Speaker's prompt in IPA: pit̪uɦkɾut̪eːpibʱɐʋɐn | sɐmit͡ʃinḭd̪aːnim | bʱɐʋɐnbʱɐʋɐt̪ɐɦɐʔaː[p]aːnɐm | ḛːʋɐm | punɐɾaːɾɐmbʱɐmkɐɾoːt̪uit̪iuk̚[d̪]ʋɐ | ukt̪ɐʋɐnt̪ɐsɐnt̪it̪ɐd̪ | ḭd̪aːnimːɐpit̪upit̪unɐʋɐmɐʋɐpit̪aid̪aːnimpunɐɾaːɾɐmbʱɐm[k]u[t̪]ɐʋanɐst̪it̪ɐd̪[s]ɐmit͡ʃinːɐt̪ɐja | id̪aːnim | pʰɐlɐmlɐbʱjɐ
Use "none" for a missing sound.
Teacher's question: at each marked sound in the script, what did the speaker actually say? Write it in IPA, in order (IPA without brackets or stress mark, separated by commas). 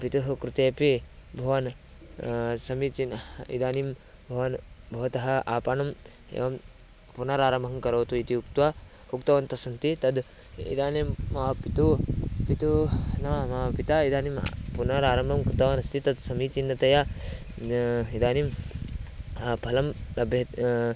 p, t̪, k, t̪, s